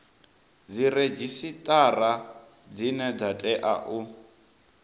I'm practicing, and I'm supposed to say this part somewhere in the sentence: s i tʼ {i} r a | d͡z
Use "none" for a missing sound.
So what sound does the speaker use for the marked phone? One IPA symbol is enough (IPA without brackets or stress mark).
a